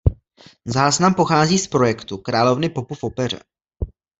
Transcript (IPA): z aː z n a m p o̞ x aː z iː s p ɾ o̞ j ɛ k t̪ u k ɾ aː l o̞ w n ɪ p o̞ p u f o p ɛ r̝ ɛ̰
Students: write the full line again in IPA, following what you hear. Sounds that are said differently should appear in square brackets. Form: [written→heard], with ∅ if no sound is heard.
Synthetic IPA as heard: z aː z n a m p o̞ x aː z iː s p ɾ o̞ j ɛ k t̪ u k ɾ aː l o̞ [w→v] n ɪ p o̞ p u f o p ɛ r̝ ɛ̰